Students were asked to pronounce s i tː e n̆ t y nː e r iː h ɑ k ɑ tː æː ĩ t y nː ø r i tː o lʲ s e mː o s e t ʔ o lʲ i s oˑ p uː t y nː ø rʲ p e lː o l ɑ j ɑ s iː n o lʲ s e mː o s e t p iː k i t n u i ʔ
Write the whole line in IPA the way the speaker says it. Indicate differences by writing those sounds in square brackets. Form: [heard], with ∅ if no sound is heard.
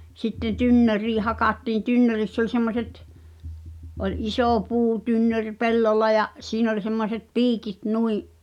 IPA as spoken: s i tː e n̆ t y nː [ø] r iː h ɑ k ɑ tː [iː] ĩ t y nː ø r i [sː] o lʲ s e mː o s e t ʔ o lʲ i s oˑ p uː t y nː ø rʲ p e lː o [lː] ɑ j ɑ s iː n o lʲ s e mː o s e t p iː k i t n u i ʔ